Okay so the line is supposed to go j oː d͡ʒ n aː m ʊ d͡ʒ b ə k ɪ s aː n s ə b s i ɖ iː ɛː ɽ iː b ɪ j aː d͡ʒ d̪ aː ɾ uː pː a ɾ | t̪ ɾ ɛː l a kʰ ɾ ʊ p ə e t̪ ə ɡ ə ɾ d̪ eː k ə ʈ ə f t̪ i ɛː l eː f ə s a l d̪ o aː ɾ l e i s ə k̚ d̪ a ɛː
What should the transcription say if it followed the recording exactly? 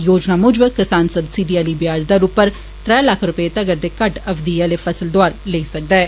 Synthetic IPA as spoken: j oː d͡ʒ n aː m ʊ d͡ʒ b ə k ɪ s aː n s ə b s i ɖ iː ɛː l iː b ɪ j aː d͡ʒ d̪ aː ɾ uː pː ə ɾ | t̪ ɾ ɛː l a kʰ ɾ ʊ p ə e t̪ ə ɡ ə ɾ d̪ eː k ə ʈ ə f d̪ i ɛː l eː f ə s ə l d̪ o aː ɾ l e i s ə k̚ d̪ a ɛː